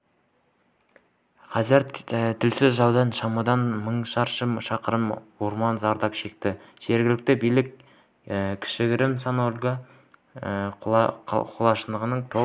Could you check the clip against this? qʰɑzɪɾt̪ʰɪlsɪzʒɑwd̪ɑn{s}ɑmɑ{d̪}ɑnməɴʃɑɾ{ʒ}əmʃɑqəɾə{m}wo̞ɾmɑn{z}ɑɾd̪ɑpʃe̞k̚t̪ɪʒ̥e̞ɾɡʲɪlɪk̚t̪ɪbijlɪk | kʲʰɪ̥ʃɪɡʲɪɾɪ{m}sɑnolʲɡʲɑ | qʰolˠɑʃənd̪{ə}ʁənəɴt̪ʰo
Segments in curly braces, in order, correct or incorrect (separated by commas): incorrect, correct, incorrect, correct, correct, correct, correct